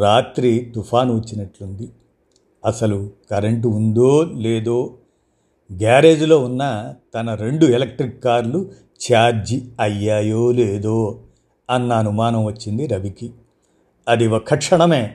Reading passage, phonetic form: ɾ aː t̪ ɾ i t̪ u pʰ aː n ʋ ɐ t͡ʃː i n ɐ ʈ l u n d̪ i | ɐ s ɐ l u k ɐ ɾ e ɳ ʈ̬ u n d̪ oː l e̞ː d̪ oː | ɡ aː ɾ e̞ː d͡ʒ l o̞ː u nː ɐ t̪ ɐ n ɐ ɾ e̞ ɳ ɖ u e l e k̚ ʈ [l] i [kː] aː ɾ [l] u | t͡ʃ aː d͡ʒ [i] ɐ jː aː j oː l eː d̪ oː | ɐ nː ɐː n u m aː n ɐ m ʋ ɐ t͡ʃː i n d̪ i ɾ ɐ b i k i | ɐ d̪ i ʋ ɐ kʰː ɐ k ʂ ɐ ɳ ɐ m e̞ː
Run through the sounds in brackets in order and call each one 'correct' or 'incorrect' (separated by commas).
incorrect, correct, correct, correct